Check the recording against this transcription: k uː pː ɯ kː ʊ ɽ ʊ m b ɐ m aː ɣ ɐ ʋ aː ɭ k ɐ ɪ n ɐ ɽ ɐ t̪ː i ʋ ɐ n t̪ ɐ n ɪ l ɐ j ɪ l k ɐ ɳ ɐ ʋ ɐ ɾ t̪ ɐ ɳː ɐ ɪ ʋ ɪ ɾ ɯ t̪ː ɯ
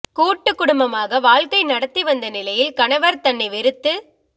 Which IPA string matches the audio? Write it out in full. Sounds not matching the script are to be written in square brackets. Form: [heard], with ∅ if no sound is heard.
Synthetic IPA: k uː [ʈː] ɯ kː ʊ ɽ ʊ m b ɐ m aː ɣ ɐ ʋ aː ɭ k ɐ ɪ n ɐ ɽ ɐ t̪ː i ʋ ɐ n [d̪] ɐ n ɪ l ɐ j ɪ l k ɐ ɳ ɐ ʋ ɐ ɾ t̪ ɐ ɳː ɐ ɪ ʋ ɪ ɾ ɯ t̪ː ɯ